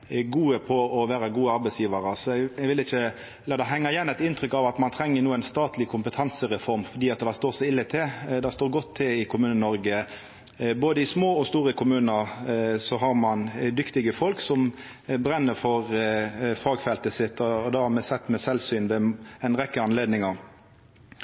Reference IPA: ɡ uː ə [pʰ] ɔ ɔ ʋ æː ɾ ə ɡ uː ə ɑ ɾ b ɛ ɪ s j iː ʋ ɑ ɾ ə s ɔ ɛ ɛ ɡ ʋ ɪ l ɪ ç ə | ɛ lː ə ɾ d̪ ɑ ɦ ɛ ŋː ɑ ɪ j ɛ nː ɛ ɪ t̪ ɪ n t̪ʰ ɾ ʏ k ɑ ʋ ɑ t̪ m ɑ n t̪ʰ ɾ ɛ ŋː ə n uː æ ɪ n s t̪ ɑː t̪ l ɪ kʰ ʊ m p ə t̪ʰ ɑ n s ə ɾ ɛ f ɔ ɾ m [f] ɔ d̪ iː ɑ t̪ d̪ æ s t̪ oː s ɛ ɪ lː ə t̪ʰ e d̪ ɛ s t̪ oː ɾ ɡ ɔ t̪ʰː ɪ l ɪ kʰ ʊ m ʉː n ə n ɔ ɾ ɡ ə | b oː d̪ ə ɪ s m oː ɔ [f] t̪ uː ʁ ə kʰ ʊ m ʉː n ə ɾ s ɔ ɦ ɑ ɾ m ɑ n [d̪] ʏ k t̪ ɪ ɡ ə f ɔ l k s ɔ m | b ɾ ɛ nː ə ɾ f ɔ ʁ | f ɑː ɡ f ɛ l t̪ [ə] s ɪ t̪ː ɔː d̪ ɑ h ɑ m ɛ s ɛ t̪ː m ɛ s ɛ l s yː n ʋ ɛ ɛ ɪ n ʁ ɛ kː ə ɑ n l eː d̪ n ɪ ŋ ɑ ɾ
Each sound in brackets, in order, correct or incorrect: correct, correct, incorrect: s, correct, correct

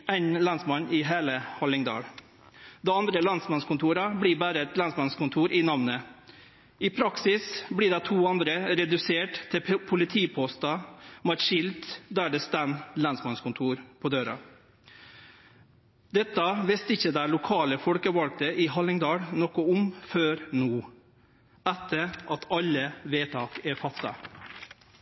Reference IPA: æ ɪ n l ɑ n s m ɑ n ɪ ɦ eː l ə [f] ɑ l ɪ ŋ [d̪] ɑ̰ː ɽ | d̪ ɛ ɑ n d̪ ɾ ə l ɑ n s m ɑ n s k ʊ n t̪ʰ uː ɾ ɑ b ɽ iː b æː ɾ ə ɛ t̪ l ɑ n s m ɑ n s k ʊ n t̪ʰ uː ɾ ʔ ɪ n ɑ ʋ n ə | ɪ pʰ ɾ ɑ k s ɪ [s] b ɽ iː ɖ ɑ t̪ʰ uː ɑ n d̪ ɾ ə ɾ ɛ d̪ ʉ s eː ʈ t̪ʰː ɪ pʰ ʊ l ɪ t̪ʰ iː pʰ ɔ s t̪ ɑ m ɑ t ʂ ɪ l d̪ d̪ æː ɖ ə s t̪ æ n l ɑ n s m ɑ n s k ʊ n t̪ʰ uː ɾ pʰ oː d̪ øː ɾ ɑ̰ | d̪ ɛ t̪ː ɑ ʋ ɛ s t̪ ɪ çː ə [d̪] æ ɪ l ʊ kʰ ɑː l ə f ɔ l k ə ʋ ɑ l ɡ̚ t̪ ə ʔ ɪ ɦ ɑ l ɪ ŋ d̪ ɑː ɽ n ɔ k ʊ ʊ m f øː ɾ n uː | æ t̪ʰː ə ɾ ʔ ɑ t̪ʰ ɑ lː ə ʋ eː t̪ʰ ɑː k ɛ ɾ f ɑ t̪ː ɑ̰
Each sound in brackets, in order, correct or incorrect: incorrect: h, correct, correct, correct

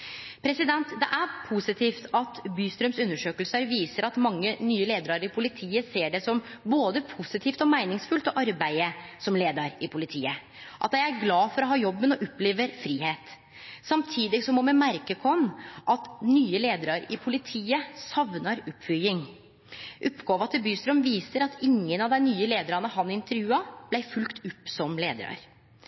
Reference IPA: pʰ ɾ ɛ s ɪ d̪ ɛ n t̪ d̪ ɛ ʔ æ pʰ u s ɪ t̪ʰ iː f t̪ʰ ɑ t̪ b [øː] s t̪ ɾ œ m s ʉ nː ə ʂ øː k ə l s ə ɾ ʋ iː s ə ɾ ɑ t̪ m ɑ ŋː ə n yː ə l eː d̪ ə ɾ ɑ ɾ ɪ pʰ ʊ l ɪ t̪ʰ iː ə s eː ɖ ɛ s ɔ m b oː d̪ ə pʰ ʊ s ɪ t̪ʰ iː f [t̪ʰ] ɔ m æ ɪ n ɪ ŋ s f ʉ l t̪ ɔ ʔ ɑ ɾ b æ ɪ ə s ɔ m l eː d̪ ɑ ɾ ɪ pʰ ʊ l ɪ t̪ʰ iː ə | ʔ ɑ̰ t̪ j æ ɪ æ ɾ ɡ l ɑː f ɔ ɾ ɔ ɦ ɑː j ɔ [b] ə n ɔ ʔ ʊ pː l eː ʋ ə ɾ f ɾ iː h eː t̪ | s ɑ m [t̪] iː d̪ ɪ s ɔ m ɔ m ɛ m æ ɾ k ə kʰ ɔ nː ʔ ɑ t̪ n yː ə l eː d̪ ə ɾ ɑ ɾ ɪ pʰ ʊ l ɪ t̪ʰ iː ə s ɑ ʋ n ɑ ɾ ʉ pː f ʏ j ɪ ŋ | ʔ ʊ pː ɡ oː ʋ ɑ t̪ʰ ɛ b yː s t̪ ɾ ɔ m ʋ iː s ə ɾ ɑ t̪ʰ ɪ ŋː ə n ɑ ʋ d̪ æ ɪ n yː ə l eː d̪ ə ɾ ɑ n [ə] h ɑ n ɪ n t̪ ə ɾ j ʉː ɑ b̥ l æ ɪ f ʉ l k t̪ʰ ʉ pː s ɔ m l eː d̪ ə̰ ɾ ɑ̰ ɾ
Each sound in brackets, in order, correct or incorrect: incorrect: yː, incorrect: t̪, incorrect: bː, incorrect: t̪ʰ, correct

